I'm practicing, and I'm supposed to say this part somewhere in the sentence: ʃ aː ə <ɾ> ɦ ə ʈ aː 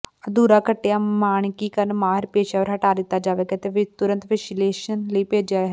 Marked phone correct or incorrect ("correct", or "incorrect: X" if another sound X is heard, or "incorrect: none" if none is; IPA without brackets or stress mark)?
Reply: correct